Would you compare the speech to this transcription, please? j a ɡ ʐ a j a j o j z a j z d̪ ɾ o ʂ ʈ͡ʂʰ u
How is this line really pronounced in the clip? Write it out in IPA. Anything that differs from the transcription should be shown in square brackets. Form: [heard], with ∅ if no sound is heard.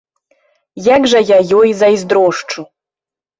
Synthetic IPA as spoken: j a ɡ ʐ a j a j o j z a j z d̪ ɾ o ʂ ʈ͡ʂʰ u